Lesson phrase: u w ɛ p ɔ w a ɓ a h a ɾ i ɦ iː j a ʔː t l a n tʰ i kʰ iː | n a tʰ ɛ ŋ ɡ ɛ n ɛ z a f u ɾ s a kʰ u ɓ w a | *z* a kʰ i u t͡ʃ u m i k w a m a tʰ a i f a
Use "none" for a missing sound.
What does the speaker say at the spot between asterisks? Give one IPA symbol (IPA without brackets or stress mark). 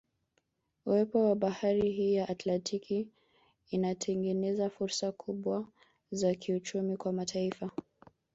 z